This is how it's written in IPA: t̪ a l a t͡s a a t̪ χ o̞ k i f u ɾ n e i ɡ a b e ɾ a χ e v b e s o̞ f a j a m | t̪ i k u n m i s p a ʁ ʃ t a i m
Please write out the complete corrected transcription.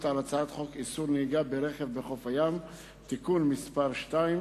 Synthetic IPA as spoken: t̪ a l a t͡s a a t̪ χ o̞ k i s u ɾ n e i ɡ a b e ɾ e χ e v b e χ o̞ f a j a m | t̪ i k u n m i s p a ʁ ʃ t a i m